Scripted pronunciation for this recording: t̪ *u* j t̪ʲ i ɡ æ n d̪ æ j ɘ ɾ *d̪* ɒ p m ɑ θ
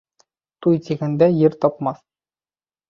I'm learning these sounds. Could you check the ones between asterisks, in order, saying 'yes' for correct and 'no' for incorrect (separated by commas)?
yes, no